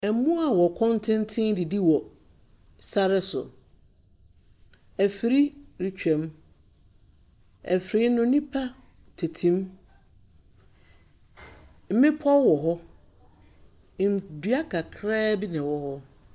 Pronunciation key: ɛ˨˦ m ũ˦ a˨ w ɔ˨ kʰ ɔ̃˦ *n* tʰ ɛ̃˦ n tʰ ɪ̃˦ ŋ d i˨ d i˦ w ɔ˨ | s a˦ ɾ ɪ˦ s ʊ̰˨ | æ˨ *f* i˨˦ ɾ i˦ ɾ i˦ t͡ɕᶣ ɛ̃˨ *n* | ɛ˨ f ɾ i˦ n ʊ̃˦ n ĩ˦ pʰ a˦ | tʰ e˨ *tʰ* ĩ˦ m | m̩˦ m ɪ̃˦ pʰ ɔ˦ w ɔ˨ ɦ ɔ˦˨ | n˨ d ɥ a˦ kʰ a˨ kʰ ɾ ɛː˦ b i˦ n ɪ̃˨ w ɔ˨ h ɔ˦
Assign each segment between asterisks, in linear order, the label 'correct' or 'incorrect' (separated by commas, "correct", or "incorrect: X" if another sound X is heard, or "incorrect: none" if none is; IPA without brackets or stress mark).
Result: correct, correct, incorrect: m, correct